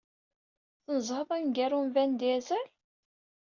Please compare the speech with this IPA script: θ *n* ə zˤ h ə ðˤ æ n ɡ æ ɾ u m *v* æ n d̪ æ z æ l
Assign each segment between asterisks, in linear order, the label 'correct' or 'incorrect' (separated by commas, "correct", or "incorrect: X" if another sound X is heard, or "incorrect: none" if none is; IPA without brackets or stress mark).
correct, correct